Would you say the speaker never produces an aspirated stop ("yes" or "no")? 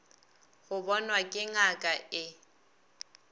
yes